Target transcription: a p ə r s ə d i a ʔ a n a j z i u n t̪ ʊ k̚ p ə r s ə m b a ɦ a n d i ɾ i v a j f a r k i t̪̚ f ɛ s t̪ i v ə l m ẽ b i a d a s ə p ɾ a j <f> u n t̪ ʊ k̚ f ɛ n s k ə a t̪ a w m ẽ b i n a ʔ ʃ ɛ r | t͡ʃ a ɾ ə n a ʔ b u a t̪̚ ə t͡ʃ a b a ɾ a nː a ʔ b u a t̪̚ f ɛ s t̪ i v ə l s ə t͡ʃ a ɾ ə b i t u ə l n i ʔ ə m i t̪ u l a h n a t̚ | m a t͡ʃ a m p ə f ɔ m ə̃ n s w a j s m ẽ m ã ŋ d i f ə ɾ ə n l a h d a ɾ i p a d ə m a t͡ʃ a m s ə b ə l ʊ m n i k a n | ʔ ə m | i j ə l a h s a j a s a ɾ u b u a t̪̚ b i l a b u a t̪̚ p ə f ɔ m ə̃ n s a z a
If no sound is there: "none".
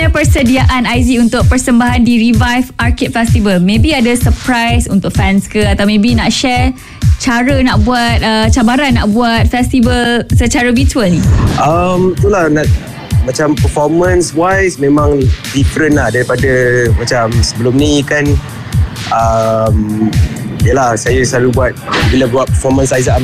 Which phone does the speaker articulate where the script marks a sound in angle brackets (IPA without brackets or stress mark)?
s